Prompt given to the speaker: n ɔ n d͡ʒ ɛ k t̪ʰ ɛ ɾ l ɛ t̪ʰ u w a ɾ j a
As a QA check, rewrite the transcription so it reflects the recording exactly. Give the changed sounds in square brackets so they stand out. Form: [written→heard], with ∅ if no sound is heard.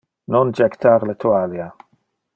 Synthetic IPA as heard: n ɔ n d͡ʒ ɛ k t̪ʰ [ɛ→a] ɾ l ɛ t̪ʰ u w a [ɾ→l] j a